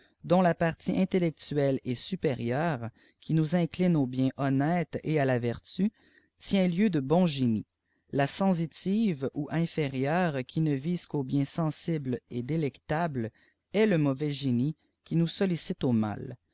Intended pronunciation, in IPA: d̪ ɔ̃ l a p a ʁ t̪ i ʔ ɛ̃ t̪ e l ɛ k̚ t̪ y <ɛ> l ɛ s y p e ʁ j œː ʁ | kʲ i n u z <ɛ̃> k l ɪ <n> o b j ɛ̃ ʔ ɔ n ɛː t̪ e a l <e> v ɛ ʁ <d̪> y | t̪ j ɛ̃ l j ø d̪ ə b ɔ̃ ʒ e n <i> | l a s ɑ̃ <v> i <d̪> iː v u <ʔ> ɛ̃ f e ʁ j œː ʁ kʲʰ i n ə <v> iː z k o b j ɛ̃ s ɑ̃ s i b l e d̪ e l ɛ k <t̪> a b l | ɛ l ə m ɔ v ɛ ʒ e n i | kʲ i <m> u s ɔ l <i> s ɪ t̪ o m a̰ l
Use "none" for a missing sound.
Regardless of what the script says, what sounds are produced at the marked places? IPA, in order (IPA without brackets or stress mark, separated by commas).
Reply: ɛ, ɛ̃, n, a, t̪, i, z, t̪, ʔ, v, t̪, n, i